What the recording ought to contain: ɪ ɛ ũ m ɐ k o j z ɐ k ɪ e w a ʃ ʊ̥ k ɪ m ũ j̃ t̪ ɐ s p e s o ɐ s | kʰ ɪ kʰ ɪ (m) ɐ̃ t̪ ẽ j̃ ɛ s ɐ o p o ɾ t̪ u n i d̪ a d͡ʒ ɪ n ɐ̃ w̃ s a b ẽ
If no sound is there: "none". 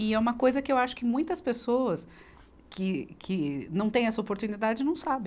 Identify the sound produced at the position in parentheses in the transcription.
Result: n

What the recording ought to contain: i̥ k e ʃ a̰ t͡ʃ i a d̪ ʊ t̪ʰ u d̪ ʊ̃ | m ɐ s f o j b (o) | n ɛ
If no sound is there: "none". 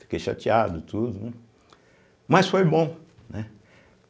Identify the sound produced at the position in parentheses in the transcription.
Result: õ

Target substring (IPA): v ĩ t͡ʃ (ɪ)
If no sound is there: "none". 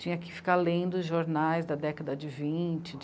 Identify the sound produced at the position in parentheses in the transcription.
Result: ɪ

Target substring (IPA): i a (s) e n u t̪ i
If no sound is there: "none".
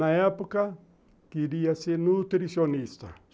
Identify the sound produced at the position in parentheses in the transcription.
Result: s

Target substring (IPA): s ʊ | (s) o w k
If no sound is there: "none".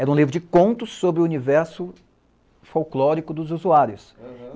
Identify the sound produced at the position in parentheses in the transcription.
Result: f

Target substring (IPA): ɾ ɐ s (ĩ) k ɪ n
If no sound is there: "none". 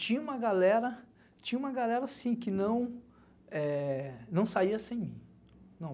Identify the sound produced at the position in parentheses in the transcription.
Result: ĩ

